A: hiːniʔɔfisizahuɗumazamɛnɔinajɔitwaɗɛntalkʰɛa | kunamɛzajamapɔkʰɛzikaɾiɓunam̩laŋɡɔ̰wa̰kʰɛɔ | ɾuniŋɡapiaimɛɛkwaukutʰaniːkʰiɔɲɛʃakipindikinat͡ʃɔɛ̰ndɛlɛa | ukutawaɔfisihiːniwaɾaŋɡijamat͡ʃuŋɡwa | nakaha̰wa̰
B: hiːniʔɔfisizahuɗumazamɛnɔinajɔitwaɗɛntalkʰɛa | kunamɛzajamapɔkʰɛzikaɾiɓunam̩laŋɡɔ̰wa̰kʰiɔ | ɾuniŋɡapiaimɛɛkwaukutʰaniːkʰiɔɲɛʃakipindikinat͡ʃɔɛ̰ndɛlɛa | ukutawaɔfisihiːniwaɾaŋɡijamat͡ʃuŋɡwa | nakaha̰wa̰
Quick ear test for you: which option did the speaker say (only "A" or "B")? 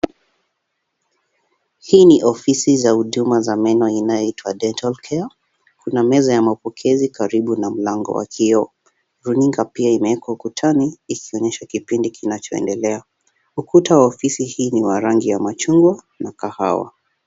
B